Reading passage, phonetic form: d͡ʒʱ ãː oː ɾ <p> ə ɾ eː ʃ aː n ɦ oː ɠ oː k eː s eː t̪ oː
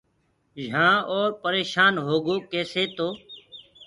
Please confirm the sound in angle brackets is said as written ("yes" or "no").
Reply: yes